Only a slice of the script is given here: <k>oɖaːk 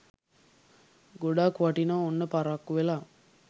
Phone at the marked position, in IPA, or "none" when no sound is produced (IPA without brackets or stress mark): ɡ